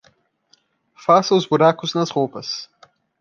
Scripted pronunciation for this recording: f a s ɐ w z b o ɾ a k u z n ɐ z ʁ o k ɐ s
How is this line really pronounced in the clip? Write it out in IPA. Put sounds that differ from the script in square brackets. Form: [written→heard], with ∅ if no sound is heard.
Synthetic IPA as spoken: f a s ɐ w z b [o→u] ɾ a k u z n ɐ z ʁ o [k→p] ɐ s